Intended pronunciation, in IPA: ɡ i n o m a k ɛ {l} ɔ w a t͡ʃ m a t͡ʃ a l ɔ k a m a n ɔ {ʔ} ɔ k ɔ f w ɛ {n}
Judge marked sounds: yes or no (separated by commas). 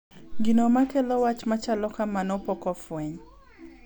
yes, no, no